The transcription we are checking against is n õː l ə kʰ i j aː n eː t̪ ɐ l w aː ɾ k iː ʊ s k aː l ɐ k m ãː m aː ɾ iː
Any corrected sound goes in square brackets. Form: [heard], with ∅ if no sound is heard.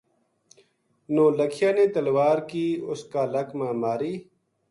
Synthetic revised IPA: n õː l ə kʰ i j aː n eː t̪ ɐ l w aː ɾ k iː ʊ s k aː l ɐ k m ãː m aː ɾ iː